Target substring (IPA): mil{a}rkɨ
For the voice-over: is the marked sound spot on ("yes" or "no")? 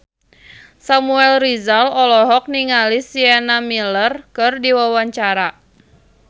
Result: no